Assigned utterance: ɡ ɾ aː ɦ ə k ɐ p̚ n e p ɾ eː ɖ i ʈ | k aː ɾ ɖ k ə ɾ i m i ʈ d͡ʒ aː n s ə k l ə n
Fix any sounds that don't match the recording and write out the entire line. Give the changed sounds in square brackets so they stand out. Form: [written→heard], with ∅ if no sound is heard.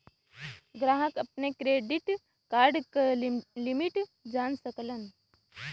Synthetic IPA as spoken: ɡ ɾ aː ɦ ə k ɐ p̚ n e [p→k] ɾ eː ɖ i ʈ | k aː ɾ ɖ k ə [ɾ→l] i m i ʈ d͡ʒ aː n s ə k l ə n